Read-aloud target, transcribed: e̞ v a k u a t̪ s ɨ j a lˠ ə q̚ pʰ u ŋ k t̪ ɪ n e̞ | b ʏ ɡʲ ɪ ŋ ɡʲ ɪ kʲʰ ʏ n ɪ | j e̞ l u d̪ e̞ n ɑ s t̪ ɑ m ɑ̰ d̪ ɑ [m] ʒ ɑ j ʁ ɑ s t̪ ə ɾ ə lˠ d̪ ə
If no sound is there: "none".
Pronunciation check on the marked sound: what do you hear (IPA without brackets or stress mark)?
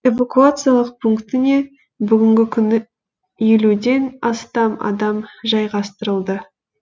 m